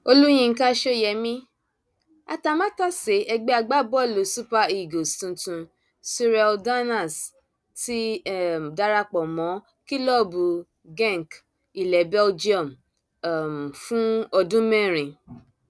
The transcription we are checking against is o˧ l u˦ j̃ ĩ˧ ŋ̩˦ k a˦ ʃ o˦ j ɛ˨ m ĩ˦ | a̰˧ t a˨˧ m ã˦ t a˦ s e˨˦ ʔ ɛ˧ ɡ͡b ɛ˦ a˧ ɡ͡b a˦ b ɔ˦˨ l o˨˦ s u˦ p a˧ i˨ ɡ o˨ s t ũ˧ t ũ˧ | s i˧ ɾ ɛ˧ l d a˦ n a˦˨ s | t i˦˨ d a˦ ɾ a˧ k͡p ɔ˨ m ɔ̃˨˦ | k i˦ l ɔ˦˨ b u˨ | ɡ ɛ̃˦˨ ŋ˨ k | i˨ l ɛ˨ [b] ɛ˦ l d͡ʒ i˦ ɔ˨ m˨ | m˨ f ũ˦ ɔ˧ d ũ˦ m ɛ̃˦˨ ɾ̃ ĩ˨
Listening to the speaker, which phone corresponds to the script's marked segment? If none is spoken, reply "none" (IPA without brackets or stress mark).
b